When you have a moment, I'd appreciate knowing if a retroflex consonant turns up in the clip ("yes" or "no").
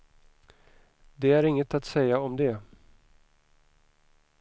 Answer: no